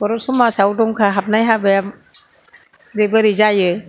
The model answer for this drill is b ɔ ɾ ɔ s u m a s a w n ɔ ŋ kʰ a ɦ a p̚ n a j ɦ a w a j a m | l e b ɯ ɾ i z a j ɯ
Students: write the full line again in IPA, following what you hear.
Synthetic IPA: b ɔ ɾ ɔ s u m a s a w d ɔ ŋ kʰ a ɦ a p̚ n a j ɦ a b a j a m | ɾ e b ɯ ɾ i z a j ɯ